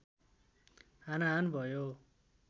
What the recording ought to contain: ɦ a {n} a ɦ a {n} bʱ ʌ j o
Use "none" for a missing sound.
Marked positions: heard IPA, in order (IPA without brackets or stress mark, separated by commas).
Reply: n, n